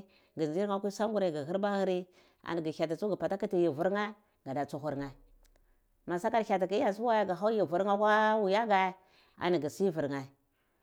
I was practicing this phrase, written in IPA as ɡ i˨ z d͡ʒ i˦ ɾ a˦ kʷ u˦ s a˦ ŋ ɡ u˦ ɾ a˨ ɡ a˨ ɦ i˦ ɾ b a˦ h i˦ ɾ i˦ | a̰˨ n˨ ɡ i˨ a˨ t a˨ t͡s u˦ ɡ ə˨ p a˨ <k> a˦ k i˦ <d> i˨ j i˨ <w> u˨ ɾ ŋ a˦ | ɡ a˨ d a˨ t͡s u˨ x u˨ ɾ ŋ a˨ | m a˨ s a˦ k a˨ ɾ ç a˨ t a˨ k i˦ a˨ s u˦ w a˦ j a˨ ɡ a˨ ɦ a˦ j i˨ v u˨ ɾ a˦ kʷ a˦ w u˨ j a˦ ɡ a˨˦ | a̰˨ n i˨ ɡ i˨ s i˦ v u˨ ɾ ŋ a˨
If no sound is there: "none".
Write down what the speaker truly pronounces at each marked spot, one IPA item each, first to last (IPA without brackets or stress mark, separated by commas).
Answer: t, t, v